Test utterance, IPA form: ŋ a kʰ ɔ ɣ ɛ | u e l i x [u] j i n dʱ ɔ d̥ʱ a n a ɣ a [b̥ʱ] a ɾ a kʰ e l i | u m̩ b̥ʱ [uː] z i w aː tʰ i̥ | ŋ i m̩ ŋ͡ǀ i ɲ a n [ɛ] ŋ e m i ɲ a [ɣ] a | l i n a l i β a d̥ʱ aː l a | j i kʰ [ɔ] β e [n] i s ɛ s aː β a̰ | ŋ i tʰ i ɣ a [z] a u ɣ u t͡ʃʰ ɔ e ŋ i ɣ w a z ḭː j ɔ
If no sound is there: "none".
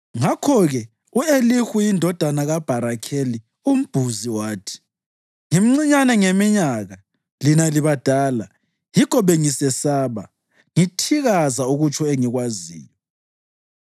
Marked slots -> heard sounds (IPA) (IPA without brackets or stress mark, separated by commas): u, b̥ʱ, u, ɛ, ɣ, ɔ, ŋ, z